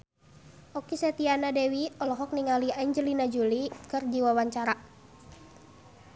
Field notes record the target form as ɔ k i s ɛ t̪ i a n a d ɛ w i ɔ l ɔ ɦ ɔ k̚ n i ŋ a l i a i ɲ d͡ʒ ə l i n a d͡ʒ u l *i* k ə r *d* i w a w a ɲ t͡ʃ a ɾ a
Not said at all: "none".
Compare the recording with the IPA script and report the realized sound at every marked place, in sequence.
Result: i, d͡ʒ

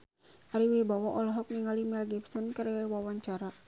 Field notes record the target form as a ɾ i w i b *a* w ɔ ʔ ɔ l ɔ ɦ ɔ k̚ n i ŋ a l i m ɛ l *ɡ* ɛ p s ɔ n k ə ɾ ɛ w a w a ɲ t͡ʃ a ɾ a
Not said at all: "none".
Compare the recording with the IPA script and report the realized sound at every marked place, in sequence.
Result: a, ɡ

